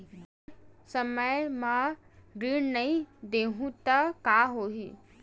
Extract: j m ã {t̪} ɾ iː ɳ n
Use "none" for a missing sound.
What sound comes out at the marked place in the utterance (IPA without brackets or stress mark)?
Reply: none